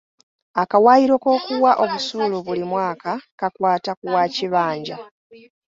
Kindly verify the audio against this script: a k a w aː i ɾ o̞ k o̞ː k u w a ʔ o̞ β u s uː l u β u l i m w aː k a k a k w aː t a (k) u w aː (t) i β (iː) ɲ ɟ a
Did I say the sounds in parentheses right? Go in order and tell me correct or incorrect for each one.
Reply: correct, incorrect, incorrect

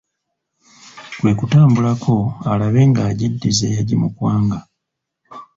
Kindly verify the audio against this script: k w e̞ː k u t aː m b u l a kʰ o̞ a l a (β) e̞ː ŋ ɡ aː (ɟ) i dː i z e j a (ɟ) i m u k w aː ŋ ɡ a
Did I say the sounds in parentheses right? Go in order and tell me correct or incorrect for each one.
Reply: correct, correct, correct

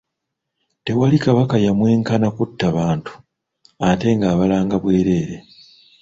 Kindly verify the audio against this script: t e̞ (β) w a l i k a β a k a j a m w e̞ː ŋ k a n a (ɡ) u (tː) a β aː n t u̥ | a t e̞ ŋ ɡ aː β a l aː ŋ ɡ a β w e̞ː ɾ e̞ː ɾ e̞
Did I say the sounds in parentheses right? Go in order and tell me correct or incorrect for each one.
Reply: incorrect, incorrect, correct

